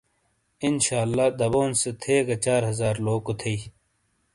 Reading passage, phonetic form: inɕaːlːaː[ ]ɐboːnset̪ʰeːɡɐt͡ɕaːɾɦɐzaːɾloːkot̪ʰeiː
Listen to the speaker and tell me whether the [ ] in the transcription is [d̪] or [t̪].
d̪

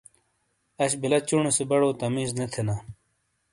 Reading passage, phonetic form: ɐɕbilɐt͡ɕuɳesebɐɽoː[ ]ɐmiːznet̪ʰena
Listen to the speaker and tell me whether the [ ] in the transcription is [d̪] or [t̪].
t̪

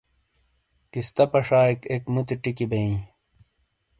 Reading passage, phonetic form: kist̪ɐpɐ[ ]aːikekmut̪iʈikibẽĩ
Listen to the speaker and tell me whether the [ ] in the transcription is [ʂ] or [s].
ʂ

